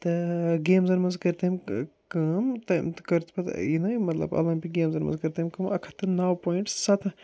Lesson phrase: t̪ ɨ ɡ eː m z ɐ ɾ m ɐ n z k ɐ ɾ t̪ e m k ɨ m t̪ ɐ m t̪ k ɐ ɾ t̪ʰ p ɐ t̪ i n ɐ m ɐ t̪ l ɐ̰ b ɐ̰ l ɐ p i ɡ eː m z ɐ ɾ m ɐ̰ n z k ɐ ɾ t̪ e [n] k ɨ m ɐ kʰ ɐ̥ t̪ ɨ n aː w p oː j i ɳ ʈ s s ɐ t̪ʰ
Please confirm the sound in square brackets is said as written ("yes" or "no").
no